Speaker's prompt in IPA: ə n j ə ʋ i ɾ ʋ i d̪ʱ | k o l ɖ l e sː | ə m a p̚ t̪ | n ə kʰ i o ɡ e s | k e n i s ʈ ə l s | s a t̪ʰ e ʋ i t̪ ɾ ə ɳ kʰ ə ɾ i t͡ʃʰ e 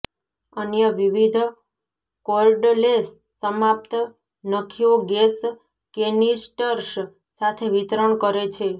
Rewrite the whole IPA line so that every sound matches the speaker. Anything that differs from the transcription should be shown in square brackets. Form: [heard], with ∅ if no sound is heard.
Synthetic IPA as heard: ə n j ə ʋ i [∅] ʋ i d̪ʱ | k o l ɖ l e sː | ə m a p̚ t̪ | n ə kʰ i o ɡ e s | k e n i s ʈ ə [ɾ] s | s a t̪ʰ e ʋ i t̪ ɾ ə ɳ [k] ə ɾ [e] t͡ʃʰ e